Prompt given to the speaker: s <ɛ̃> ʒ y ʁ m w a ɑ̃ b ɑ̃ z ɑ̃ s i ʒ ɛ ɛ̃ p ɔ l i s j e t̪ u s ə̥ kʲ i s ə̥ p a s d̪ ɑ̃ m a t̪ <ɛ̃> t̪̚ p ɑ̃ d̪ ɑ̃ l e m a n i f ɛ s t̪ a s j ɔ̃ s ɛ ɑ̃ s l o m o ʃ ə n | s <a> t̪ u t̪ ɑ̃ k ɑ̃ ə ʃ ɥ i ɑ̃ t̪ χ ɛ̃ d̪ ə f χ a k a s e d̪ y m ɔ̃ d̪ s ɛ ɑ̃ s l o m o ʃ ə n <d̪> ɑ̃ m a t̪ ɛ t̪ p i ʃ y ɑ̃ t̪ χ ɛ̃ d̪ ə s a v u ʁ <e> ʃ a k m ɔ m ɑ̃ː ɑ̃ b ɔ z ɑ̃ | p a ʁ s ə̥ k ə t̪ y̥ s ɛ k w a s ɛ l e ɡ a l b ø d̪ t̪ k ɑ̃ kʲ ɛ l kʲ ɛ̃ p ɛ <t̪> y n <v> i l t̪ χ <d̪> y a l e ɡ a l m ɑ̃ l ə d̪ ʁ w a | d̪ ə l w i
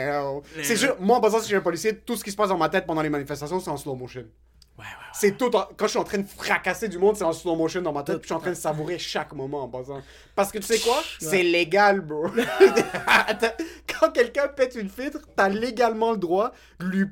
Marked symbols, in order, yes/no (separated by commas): no, no, no, yes, yes, yes, no, no